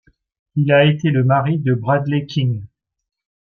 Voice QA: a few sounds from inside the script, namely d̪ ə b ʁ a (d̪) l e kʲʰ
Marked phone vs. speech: correct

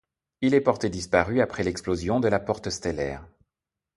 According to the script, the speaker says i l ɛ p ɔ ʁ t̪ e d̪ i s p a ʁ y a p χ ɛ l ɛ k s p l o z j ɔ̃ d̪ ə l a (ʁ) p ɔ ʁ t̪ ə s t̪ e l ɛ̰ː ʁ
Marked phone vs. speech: incorrect: none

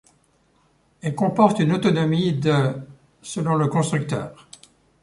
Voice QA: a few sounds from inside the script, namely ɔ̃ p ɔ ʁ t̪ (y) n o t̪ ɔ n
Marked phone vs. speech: correct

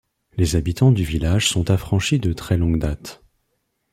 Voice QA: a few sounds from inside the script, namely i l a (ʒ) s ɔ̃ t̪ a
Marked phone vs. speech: correct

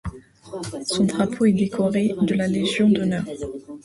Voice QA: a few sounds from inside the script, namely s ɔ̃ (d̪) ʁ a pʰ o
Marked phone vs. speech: correct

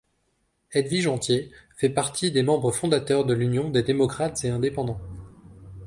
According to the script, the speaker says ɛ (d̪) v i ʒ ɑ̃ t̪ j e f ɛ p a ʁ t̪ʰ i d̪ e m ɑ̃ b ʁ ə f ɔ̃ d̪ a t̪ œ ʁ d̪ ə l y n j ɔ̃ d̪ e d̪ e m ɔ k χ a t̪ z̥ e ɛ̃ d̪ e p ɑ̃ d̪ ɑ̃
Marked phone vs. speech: correct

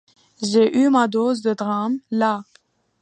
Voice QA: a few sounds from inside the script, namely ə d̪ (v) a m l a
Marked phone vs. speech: incorrect: ʁ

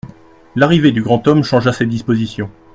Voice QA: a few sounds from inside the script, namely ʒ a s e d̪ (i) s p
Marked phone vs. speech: correct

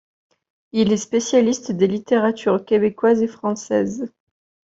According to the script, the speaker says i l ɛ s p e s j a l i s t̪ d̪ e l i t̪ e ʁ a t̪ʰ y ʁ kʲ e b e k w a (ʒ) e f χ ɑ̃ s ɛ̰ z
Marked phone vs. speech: incorrect: z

